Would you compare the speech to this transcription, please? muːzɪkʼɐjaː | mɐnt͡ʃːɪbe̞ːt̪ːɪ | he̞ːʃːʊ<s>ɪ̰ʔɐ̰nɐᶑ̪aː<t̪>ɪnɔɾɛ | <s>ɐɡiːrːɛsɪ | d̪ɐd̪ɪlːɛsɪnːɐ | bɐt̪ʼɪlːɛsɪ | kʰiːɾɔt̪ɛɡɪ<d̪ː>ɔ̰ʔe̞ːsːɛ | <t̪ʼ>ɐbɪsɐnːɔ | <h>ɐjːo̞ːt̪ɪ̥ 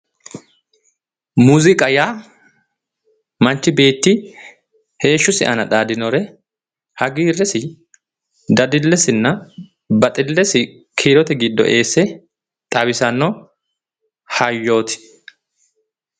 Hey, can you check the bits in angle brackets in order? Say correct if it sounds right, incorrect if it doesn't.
correct, incorrect: d̪, incorrect: h, correct, correct, correct

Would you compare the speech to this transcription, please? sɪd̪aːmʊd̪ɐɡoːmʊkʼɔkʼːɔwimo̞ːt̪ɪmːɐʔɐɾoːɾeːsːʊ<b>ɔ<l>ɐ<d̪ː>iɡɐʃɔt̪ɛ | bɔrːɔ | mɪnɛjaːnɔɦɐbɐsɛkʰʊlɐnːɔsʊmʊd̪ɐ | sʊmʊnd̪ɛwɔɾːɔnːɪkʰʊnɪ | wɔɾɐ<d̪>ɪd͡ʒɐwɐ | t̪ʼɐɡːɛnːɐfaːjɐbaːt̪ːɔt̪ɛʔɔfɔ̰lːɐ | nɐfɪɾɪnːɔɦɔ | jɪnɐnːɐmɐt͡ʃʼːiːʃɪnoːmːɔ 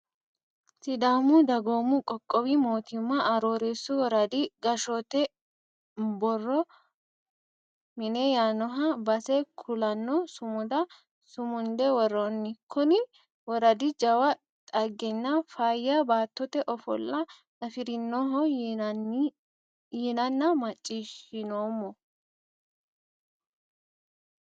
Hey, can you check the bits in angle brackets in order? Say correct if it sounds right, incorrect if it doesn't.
incorrect: w, incorrect: ɾ, incorrect: d̪, correct

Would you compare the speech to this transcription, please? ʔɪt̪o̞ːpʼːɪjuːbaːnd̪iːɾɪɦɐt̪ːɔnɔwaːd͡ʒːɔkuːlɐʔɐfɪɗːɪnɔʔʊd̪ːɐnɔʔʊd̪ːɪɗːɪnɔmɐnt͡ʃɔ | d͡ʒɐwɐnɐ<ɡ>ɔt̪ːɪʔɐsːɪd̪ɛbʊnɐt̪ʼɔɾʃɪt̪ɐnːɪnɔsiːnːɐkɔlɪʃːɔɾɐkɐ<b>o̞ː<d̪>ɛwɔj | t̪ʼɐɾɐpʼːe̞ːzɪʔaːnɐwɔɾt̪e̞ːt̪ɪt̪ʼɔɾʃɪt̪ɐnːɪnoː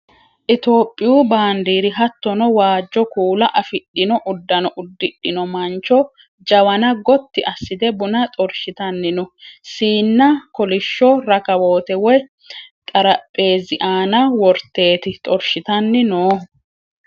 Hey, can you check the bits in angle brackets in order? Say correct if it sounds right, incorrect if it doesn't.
correct, incorrect: w, incorrect: t̪

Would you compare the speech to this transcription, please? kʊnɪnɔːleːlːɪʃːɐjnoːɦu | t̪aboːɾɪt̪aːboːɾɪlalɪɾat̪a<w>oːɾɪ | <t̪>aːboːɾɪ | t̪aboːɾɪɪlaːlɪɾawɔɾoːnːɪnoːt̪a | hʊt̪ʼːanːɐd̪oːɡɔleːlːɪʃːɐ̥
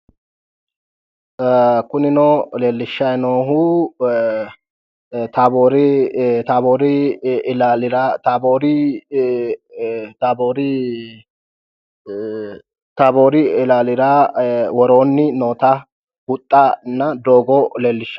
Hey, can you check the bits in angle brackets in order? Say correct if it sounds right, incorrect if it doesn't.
incorrect: b, correct

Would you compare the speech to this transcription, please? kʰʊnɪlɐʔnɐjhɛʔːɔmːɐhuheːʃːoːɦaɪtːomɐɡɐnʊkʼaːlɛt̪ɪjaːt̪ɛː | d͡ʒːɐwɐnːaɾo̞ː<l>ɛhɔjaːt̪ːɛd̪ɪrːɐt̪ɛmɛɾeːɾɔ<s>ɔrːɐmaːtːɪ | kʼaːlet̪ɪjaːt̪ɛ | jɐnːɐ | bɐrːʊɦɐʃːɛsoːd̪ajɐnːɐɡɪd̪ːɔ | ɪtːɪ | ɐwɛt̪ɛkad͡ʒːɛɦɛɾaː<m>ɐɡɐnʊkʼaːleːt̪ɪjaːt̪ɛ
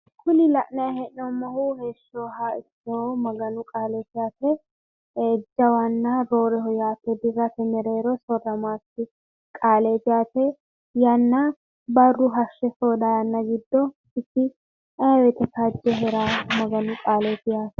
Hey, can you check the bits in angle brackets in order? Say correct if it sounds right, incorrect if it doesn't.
incorrect: ɾ, correct, correct

